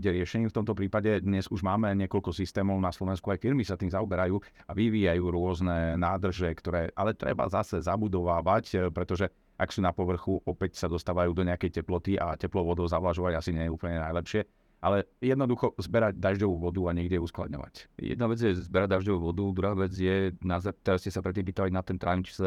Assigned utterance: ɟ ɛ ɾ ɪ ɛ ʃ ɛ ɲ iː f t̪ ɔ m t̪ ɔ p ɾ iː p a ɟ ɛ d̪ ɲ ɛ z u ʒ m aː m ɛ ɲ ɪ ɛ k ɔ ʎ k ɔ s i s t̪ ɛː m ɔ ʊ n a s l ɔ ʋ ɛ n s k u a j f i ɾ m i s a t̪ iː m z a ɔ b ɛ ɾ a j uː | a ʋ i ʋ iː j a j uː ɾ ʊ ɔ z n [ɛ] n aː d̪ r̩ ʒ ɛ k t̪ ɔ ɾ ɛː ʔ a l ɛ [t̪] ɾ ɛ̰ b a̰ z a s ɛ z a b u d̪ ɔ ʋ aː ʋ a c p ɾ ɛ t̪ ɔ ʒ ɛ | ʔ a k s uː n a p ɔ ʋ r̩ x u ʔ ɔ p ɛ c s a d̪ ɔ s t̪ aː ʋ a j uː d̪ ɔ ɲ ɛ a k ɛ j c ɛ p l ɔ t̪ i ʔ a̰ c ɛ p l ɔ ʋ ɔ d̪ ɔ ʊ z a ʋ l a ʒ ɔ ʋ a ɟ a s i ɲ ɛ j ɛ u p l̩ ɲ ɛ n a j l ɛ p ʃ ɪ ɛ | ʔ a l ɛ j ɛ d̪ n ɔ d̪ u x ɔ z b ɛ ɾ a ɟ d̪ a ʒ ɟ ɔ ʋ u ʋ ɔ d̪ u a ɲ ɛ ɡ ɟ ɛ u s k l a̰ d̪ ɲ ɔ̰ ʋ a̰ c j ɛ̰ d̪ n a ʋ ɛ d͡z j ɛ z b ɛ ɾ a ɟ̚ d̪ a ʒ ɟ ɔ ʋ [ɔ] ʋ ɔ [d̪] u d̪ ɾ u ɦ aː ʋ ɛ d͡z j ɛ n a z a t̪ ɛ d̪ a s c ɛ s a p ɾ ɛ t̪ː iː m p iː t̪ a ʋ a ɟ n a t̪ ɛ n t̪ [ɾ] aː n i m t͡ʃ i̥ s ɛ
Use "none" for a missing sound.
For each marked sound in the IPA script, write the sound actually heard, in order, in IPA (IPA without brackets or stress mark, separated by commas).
ɛ, t̪, u, d̪, ɾ